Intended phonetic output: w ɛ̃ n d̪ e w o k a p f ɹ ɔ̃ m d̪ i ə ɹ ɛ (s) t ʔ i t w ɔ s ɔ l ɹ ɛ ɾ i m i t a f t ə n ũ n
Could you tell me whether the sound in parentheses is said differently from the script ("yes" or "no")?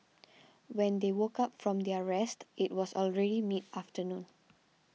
no